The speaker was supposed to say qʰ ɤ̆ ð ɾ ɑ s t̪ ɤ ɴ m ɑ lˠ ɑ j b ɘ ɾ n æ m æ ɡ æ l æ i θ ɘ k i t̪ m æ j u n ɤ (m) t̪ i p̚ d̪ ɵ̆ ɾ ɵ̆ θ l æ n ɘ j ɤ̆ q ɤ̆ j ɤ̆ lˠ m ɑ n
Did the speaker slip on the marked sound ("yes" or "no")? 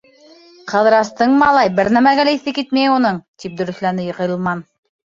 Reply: yes